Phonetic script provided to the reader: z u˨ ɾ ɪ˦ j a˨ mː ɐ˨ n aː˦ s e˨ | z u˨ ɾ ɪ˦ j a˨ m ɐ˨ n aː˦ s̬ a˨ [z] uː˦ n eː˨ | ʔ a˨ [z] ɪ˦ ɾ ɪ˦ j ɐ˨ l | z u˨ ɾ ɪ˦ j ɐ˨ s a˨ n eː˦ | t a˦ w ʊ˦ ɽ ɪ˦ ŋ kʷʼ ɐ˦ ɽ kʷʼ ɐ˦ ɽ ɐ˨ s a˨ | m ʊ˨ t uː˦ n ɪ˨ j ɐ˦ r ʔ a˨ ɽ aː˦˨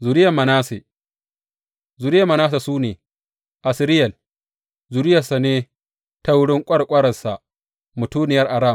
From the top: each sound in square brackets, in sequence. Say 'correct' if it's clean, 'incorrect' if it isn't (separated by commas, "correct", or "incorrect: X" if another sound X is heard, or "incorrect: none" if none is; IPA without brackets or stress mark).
incorrect: s, incorrect: s